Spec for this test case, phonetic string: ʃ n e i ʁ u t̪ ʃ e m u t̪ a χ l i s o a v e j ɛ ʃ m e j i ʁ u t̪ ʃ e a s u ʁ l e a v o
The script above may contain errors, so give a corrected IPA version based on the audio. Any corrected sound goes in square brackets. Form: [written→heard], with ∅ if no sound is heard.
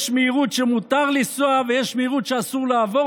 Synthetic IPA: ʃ [n→m] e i ʁ u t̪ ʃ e m u t̪ a [χ→ʁ] l i s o a v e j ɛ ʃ m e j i ʁ u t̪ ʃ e a s u ʁ l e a v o

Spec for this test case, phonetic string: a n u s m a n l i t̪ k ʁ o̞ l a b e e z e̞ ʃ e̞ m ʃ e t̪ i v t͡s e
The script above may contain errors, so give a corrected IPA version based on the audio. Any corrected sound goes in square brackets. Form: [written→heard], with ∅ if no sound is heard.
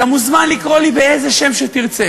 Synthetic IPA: a [n→m] u [s→z] m a n l i [t̪→∅] k ʁ o̞ l [a→i] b e e z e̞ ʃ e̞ m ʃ e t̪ i [v→ʁ] t͡s e

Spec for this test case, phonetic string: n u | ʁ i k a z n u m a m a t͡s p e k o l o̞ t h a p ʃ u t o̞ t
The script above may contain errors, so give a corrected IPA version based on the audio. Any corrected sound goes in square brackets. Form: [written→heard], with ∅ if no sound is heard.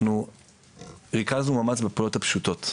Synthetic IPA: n u | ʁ i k a z n u m a m a t͡s [p→b] e [k→p] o l o̞ t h a p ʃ u t o̞ t

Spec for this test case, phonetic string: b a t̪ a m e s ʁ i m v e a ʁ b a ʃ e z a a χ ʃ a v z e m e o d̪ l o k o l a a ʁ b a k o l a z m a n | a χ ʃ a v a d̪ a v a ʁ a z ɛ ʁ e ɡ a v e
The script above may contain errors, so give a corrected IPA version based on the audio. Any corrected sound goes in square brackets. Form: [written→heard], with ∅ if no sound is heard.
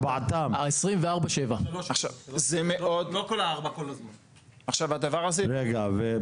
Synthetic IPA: b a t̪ a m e s ʁ i m v e a ʁ b a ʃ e [z→v] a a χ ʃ a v z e m e o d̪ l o k o l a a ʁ b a k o l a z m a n | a χ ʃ a v a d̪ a v a ʁ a z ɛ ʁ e ɡ a v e

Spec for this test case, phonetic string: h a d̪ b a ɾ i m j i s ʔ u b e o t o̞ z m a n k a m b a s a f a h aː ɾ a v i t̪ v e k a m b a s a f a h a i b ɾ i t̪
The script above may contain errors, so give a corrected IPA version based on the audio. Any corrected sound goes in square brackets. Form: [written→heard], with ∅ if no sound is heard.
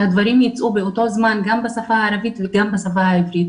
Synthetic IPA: h a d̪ [b→v] a ɾ i m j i [s→t͡s] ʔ u b e o t o̞ z m a n [k→ɡ] a m b a s a f a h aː ɾ a v i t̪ v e [k→ɡ] a m b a s a f a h a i [b→v] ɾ i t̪

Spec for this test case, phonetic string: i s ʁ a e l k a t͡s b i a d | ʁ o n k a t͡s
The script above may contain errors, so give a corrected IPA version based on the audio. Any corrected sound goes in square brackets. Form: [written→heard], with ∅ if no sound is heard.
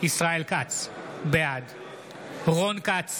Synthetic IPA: i s ʁ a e l k a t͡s b [i→e] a d | ʁ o n k a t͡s

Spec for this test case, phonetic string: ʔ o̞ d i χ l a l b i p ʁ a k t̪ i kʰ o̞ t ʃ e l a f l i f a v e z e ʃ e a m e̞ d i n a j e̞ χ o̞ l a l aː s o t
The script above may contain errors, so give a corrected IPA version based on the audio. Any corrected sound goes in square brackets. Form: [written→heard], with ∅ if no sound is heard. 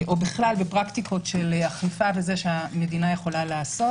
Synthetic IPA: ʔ o̞ [d→b] i χ l a l b [i→e] p ʁ a k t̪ i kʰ o̞ t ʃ e l a [f→χ] l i f a v e z e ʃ e a m e̞ d i n a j e̞ χ o̞ l a l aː s o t

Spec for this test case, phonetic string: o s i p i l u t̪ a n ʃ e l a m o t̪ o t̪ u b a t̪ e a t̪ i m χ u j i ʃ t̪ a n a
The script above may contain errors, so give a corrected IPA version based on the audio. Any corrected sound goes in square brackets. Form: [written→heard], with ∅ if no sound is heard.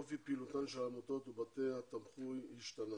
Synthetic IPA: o [s→f] i p i l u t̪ a n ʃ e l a m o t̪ o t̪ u b a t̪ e a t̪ [i→a] m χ u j i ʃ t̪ a n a

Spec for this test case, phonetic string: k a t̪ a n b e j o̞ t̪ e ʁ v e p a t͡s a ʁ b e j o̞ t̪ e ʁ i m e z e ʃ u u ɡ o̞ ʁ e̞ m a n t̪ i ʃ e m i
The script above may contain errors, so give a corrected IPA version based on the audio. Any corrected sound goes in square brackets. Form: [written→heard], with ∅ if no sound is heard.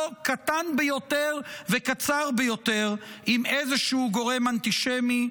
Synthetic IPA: k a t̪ a n b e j o̞ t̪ e ʁ v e [p→k] a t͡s a ʁ b e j o̞ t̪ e ʁ i m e z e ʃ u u ɡ o̞ ʁ e̞ m a n t̪ i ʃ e m i

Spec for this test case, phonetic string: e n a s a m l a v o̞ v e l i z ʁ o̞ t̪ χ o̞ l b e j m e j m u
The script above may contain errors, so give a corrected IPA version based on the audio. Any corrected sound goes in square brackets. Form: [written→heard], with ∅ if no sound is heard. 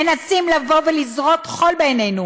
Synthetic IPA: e n a s [a→i] m l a v o̞ v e l i z ʁ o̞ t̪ χ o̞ l b e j [m→n] e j [m→n] u

